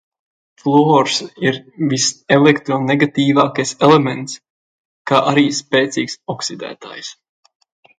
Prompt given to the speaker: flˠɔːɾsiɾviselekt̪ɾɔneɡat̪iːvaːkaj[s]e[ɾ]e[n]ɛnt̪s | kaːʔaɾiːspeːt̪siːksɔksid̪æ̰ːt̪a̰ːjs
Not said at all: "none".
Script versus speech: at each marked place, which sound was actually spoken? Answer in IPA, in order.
s, l, m

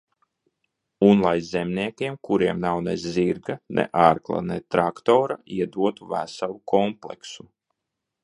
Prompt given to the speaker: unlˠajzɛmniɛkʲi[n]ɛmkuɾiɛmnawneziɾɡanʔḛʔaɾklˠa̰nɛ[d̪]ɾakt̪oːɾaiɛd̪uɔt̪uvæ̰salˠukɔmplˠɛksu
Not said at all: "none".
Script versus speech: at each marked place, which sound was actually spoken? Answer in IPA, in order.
none, t̪

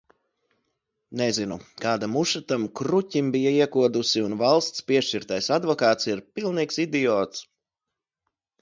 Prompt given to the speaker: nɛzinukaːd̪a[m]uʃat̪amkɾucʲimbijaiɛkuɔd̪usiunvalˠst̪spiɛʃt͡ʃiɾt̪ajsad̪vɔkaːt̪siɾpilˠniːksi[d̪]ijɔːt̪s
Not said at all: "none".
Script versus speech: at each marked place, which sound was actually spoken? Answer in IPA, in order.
m, d̪

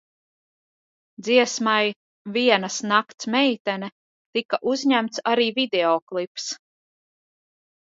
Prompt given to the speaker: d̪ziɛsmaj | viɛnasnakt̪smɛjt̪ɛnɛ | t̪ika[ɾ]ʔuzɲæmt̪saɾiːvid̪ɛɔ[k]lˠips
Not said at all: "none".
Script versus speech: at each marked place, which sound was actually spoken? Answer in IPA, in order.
none, k

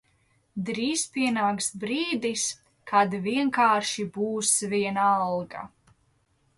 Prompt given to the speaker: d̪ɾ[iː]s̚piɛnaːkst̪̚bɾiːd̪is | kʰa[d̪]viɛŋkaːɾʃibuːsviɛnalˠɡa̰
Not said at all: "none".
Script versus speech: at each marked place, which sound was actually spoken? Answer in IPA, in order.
iː, d̪

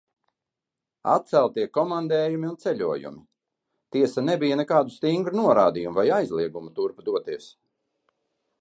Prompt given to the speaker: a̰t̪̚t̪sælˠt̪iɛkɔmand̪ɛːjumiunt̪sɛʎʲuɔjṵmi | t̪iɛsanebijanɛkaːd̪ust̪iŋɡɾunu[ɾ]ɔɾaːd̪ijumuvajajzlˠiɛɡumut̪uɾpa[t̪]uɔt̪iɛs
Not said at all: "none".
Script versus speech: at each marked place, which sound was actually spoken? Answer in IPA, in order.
none, d̪

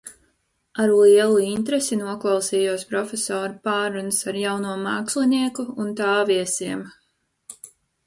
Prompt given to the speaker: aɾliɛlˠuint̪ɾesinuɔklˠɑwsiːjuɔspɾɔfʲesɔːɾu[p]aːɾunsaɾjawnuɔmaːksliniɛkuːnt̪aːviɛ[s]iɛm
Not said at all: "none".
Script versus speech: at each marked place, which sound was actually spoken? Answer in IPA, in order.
p, s

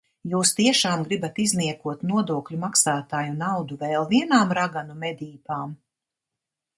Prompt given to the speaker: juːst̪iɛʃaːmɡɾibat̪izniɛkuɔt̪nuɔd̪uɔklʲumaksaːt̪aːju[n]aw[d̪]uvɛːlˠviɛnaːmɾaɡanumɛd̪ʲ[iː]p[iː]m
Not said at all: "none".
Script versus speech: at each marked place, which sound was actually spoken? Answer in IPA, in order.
n, d̪, iː, aː

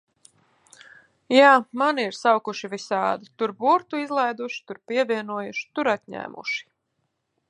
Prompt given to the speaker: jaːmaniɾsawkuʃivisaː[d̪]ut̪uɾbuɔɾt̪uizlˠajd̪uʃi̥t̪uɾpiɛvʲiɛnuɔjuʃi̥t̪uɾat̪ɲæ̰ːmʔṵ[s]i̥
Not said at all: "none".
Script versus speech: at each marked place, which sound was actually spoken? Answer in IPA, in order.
d̪, ʃ

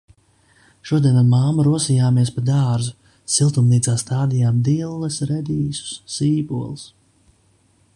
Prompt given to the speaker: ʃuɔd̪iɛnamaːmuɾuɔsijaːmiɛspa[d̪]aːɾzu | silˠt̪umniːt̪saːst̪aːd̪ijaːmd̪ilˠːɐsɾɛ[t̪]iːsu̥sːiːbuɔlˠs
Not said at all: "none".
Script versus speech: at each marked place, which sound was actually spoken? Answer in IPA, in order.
d̪, d̪

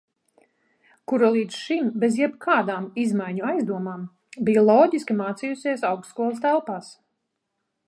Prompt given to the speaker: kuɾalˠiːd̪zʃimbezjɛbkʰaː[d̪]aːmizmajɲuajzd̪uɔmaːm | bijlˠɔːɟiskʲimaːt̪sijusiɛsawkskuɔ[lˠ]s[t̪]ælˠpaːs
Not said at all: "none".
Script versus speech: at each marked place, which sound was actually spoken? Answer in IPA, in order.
d̪, lˠ, t̪

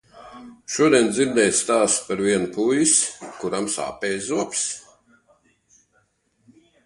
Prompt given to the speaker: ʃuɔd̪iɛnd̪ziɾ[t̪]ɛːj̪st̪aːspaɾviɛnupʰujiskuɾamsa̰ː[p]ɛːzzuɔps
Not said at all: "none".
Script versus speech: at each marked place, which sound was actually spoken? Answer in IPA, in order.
d̪, p

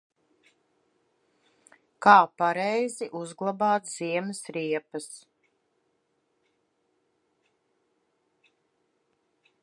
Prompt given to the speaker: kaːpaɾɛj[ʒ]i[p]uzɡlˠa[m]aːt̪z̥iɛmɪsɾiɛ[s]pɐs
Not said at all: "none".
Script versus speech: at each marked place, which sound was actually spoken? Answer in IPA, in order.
z, ʔ, b, none

